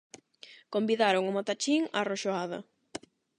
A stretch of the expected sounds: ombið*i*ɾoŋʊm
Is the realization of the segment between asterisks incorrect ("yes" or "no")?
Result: yes